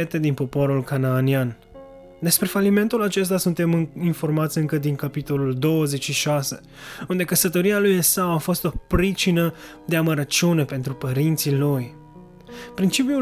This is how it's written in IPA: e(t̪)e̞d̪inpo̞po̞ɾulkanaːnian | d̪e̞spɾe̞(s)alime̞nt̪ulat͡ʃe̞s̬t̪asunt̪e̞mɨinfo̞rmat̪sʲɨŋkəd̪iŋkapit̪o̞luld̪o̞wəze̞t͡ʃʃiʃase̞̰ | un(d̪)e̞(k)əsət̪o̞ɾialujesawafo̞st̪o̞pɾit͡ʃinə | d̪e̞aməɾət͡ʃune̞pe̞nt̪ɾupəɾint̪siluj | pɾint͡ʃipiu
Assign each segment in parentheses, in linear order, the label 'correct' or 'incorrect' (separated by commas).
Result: correct, incorrect, correct, correct